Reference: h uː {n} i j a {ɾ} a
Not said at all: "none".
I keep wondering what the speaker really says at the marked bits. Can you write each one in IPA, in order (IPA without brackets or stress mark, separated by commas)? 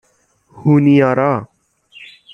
n, ɾ